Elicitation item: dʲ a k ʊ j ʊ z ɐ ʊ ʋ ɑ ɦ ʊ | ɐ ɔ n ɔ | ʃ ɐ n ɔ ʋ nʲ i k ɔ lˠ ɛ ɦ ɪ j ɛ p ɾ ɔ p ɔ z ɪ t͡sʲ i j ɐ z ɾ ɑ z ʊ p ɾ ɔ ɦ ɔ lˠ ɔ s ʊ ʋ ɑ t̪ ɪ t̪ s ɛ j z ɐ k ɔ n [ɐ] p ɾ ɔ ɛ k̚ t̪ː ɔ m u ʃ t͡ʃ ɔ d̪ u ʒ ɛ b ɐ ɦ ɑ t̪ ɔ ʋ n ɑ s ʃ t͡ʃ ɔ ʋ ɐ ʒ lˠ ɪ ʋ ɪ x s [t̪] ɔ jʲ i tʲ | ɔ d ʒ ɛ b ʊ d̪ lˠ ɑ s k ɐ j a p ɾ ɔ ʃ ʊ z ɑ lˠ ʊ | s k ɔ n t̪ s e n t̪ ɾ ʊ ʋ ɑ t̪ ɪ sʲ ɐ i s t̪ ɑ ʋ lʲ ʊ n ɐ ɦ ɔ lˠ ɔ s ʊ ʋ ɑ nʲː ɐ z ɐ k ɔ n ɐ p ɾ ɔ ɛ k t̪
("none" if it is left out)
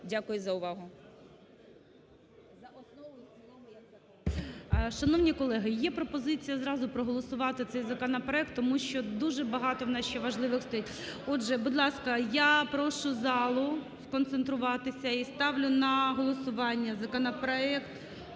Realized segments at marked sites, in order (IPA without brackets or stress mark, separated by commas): ɐ, t̪